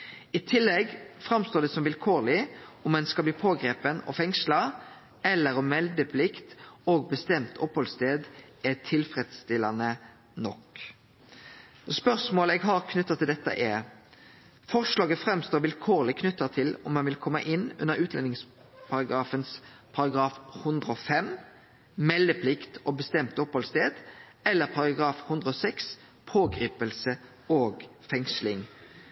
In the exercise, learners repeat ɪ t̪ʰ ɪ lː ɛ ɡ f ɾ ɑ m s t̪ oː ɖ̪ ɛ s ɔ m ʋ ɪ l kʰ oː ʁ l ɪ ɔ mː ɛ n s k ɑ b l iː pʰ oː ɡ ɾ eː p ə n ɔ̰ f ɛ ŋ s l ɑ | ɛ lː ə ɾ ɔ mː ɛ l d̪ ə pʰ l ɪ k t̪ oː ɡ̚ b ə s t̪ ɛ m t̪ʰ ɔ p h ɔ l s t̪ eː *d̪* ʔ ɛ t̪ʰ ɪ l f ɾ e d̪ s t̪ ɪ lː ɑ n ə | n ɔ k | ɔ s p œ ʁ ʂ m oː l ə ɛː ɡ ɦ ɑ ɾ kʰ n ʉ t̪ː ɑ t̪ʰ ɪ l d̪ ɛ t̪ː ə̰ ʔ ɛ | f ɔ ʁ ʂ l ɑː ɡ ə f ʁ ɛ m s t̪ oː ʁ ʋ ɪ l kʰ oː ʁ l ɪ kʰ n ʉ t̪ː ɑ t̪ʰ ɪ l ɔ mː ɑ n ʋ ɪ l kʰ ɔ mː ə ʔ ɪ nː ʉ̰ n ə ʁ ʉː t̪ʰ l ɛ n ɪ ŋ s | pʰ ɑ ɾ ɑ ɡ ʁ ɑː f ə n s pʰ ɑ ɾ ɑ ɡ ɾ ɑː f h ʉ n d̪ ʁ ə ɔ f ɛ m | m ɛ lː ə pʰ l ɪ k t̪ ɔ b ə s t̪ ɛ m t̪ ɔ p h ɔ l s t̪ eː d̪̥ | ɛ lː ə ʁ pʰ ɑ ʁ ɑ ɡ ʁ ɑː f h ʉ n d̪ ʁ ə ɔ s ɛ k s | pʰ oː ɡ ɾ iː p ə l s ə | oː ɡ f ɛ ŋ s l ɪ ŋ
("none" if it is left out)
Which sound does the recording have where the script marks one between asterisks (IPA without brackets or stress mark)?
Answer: d̪